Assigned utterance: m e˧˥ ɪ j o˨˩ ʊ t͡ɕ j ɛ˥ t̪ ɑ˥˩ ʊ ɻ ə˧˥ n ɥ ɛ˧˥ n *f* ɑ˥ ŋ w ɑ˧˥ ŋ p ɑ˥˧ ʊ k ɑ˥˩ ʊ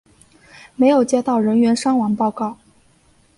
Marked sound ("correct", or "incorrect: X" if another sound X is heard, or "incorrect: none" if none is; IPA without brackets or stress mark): incorrect: ʂ